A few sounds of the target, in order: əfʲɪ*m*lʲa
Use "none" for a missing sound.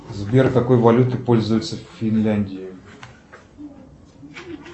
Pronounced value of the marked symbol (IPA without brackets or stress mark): n